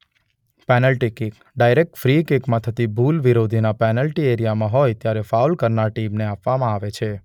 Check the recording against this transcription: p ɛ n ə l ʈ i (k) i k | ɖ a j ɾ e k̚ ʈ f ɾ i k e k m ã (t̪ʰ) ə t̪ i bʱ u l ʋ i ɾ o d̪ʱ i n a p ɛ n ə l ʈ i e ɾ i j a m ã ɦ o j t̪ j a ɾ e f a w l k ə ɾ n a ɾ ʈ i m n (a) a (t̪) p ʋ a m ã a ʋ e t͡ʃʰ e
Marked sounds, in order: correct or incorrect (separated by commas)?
correct, correct, incorrect, incorrect